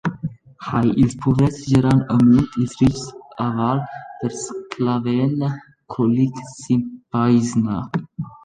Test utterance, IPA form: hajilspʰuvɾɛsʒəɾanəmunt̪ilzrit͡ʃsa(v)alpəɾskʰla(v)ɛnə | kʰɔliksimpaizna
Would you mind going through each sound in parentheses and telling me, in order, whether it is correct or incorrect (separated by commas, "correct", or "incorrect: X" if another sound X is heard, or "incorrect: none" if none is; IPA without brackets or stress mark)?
correct, correct